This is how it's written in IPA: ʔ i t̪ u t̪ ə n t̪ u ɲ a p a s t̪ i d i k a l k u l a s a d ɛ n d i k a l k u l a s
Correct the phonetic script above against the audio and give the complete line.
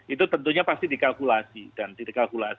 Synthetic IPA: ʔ i t̪ u t̪ ə n t̪ u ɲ a p a s t̪ i d i k a l k u l a s i d a n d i k a l k u l a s